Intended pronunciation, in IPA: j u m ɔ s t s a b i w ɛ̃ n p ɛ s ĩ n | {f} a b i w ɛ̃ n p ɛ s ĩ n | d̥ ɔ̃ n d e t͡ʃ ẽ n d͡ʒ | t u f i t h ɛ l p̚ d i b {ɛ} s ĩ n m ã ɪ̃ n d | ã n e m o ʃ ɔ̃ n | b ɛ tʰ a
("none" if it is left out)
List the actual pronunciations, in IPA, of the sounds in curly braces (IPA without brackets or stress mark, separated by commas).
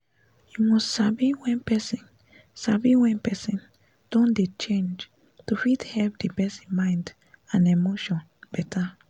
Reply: s, ɛ